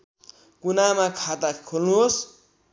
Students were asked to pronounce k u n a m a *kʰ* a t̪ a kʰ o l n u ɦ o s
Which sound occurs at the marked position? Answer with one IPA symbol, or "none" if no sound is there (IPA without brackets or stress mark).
kʰ